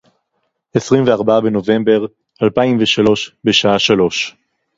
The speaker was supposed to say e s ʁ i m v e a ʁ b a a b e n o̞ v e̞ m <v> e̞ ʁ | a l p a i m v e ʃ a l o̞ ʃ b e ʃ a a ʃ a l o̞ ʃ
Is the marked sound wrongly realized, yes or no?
yes